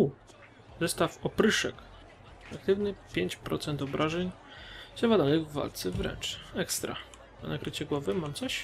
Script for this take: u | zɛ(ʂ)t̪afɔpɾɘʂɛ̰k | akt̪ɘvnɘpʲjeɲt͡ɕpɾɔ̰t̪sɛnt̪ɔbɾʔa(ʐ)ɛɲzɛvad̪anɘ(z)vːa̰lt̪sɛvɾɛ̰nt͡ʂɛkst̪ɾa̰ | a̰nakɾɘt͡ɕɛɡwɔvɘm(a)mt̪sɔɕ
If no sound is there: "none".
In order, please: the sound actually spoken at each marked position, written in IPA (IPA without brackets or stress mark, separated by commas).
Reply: s, ʐ, ɣ, a